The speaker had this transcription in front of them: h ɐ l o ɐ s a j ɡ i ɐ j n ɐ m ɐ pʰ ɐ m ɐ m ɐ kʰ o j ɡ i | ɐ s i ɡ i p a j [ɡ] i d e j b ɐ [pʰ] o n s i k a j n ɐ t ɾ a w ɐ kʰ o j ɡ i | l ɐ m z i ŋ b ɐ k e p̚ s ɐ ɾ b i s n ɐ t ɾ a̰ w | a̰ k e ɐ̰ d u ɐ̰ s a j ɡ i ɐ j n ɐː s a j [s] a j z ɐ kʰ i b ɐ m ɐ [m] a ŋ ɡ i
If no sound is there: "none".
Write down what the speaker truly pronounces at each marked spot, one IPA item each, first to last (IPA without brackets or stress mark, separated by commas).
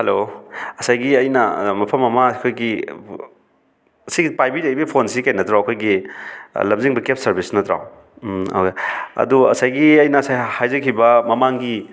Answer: b, pʰ, h, m